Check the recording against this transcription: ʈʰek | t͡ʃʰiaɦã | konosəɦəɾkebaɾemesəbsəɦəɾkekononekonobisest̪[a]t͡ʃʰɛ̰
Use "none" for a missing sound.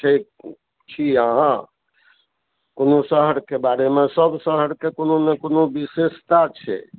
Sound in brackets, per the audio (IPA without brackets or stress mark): a